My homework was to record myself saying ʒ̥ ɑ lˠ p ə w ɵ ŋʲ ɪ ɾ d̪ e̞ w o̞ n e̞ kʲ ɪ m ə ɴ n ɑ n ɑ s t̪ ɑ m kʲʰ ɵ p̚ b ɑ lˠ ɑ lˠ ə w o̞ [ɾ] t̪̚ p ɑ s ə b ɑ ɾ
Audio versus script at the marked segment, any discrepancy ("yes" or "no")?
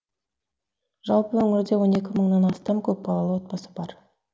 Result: yes